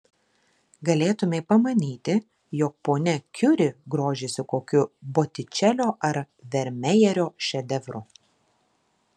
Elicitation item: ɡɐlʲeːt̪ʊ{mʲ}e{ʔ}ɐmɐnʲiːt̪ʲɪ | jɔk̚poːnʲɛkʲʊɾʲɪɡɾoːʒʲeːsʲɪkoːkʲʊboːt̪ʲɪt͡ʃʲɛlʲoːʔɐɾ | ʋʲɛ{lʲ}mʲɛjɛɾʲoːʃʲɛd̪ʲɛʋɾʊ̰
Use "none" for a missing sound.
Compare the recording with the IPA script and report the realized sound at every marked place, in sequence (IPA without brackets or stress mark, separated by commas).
mʲ, p, ɾʲ